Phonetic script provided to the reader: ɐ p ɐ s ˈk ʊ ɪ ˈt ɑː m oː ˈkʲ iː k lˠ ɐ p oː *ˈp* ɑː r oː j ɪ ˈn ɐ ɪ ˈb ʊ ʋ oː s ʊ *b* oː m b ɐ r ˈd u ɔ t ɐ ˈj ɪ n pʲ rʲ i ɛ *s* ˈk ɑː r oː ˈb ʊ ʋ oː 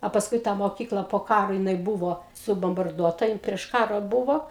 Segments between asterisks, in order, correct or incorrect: incorrect: k, correct, incorrect: ʃ

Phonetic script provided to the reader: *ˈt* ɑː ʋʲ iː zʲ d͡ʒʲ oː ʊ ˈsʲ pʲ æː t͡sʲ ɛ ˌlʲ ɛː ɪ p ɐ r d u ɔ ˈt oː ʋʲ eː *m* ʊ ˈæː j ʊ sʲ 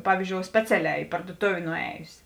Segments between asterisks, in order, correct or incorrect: incorrect: p, incorrect: n

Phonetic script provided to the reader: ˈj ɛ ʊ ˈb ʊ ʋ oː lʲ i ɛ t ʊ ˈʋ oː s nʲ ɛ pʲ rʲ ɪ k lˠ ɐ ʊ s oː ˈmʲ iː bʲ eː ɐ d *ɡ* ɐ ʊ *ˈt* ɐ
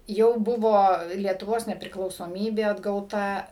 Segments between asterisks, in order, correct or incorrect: correct, correct

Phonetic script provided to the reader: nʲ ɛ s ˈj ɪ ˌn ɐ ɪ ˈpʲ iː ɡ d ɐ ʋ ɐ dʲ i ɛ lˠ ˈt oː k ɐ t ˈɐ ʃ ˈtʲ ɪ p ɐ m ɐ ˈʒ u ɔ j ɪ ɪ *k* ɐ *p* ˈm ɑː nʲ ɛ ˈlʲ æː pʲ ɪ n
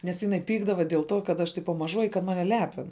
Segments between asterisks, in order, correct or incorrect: correct, incorrect: t

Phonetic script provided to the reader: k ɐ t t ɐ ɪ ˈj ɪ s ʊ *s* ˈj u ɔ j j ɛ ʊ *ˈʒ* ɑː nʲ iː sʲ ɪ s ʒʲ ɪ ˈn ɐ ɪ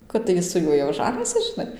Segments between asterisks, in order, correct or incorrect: incorrect: none, correct

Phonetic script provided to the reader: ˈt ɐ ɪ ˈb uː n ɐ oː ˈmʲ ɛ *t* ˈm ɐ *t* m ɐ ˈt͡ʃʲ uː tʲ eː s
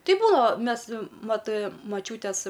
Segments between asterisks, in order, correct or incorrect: incorrect: s, correct

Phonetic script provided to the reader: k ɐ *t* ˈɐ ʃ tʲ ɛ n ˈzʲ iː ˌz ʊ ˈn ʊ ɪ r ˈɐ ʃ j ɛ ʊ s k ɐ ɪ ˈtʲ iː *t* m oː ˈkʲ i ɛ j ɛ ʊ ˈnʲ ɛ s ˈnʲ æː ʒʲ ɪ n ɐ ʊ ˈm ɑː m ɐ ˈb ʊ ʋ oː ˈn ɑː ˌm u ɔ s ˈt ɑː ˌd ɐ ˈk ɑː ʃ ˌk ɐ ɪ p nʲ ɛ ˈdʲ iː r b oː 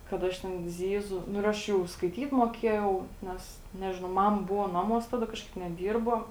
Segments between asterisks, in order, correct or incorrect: correct, correct

